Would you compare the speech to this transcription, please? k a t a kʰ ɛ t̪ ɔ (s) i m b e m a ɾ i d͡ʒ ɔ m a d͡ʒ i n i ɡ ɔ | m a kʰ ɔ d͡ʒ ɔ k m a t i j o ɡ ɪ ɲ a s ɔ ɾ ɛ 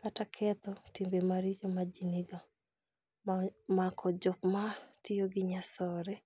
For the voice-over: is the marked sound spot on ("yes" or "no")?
no